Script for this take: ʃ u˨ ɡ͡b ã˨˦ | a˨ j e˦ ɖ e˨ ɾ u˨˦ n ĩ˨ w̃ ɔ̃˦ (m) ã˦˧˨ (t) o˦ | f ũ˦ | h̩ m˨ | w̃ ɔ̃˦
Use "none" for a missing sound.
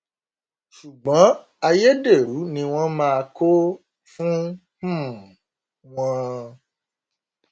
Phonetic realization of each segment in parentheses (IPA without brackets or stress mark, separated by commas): m, k